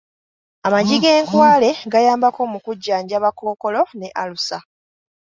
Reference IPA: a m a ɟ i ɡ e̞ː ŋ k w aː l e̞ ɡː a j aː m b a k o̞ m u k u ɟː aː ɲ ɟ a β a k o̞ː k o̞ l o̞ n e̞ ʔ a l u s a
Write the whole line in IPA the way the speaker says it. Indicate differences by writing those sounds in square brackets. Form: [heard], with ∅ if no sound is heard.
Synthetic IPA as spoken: a m a ɟ i ɡ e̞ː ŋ k w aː l e̞ [ɡ] a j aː m b a k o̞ m u k u ɟː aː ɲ ɟ a β a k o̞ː k o̞ l o̞ n e̞ ʔ a l u s a

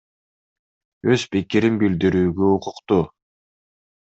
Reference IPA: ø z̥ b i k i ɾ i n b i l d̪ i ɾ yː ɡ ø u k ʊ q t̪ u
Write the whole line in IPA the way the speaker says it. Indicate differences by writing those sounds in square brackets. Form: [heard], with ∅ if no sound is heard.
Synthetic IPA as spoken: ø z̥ [p] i k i ɾ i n b i l d̪ i ɾ yː ɡ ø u [q] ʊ q t̪ u

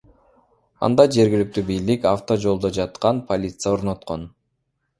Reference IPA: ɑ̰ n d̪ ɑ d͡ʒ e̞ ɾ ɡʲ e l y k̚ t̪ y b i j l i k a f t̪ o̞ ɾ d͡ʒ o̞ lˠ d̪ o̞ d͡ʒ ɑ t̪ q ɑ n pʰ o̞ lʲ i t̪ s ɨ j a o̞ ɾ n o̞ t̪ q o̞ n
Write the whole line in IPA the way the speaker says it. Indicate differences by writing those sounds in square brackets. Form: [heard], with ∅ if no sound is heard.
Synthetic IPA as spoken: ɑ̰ n d̪ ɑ d͡ʒ e̞ ɾ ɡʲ [i] l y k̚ t̪ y b i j l i k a f t̪ o̞ [∅] d͡ʒ o̞ lˠ d̪ o̞ d͡ʒ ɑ t̪ q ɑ n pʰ o̞ lʲ i t̪ s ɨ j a o̞ ɾ n o̞ t̪ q o̞ n

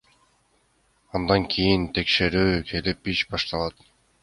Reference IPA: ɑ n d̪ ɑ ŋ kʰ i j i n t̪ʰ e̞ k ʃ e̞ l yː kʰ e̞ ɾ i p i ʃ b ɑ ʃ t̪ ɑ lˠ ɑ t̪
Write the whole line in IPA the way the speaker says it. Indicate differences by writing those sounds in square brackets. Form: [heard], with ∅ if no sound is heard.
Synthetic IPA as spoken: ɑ n d̪ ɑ ŋ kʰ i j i n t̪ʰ e̞ k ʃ e̞ [ɾ] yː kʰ e̞ [l] i p i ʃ b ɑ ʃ t̪ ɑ lˠ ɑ t̪

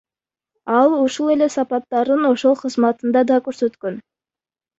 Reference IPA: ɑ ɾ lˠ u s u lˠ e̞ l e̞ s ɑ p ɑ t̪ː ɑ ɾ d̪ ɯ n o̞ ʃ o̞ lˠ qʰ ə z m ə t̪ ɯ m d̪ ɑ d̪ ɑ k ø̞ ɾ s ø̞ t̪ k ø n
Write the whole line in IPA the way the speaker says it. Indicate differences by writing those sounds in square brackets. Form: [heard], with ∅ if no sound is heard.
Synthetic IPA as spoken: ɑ [∅] lˠ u [ʃ] u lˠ e̞ l e̞ s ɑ p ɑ t̪ː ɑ ɾ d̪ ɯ n o̞ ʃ o̞ lˠ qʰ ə z m [ɑ] t̪ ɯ [n] d̪ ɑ d̪ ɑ k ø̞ ɾ s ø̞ t̪ k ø n

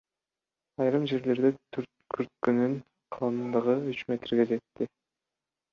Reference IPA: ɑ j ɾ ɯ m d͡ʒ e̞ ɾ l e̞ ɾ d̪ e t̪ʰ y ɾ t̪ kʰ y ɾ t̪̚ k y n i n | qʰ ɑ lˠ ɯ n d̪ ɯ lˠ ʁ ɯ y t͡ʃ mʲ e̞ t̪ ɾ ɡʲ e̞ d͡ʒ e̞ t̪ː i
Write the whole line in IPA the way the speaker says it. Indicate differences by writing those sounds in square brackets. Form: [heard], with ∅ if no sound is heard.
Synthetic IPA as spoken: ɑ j ɾ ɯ m d͡ʒ e̞ ɾ l e̞ ɾ d̪ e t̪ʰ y ɾ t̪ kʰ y ɾ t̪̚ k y n [y] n | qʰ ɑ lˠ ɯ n d̪ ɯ [∅] ʁ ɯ y t͡ʃ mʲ e̞ t̪ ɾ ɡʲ e̞ d͡ʒ e̞ t̪ː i

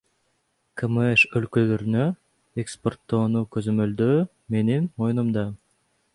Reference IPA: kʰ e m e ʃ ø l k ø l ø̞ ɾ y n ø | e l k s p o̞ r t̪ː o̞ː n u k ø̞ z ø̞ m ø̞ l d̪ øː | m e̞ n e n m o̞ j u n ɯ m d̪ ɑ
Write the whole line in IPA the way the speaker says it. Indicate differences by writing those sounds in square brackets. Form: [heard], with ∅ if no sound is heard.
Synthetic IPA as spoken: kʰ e m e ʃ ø l k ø l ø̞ ɾ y n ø | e [∅] k s p o̞ r t̪ː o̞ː n u k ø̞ z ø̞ m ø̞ l d̪ øː | m e̞ n [i] n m o̞ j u n [u] m d̪ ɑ

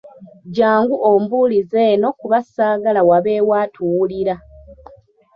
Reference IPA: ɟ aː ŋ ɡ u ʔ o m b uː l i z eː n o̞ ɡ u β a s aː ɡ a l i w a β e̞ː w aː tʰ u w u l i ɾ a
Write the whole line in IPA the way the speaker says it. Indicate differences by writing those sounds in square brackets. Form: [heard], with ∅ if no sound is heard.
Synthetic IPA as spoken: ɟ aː ŋ ɡ u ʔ o m b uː l i z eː n o̞ [k] u β a s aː ɡ a l [a] w a β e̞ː w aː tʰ u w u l i ɾ a

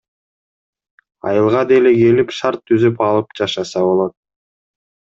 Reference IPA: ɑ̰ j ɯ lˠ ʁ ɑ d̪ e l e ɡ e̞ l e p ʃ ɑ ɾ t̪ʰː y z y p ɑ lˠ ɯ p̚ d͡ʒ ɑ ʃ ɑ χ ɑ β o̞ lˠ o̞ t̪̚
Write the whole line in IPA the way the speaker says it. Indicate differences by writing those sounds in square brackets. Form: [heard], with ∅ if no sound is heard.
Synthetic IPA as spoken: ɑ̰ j ɯ lˠ ʁ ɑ d̪ e l e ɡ e̞ l [i] p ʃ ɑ ɾ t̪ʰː y z y p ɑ lˠ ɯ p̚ d͡ʒ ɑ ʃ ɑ [s] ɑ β o̞ lˠ o̞ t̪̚

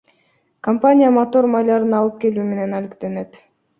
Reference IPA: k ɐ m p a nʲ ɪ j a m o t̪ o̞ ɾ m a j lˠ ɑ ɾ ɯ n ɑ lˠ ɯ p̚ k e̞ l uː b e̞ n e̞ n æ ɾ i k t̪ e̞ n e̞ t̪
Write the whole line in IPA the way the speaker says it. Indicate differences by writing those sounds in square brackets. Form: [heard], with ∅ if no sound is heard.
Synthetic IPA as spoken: k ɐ m p a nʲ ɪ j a m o t̪ o̞ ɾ m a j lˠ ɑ ɾ ɯ n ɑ lˠ ɯ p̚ k e̞ l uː [m] e̞ n e̞ n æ [l] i k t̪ e̞ n e̞ t̪

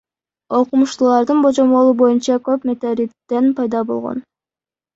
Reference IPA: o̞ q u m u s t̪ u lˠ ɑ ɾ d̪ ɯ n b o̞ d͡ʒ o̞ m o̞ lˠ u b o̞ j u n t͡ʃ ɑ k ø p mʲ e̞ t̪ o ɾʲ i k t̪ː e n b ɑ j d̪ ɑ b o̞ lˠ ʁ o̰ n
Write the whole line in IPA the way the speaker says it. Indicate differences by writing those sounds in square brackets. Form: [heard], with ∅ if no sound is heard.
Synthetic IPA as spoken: o̞ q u m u [ʃ] t̪ u lˠ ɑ ɾ d̪ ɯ n b o̞ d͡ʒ o̞ m o̞ lˠ u b o̞ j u n t͡ʃ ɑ k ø p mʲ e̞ t̪ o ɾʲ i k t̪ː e n [p] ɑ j d̪ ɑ b o̞ lˠ ʁ o̰ n

